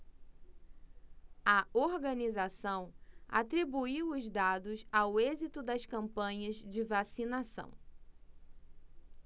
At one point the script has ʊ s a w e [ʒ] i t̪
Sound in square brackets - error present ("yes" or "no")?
yes